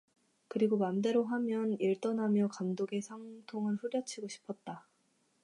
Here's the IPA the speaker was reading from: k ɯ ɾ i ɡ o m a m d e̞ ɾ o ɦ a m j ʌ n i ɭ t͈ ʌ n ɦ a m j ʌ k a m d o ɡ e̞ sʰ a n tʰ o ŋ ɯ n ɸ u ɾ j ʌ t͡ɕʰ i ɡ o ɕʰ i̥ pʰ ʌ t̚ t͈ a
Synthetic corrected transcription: k ɯ ɾ i ɡ o m a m d e̞ ɾ o ɦ a m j ʌ n i ɭ t͈ ʌ n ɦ a m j ʌ k a m d o ɡ e̞ sʰ a ŋ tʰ o ŋ ɯ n ɸ u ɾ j ʌ t͡ɕʰ i ɡ o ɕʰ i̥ pʰ ʌ t̚ t͈ a